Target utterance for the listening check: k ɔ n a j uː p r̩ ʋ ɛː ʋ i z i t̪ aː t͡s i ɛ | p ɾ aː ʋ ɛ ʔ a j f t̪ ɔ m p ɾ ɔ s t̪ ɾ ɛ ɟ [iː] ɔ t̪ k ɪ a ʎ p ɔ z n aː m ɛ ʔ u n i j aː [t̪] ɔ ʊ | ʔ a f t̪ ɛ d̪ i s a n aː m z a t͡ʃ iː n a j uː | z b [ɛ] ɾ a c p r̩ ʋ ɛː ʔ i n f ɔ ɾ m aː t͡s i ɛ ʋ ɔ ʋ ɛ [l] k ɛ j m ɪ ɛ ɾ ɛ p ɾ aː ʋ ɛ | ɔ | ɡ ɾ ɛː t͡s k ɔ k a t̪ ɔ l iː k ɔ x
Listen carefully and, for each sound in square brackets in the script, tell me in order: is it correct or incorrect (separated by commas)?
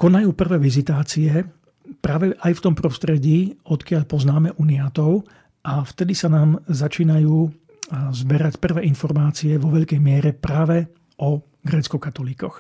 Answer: correct, correct, correct, incorrect